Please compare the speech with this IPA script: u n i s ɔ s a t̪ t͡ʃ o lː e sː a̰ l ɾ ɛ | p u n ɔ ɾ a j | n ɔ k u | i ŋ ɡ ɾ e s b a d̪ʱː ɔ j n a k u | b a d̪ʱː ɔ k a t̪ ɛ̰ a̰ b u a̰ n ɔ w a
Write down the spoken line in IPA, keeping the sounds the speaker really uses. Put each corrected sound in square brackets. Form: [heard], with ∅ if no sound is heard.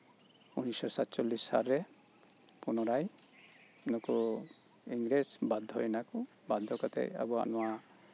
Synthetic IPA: u n i s ɔ s a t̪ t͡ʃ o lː [i] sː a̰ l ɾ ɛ | p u n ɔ ɾ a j | n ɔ k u | i ŋ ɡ ɾ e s b a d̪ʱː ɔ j n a k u | b a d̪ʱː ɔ k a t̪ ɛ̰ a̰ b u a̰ n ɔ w a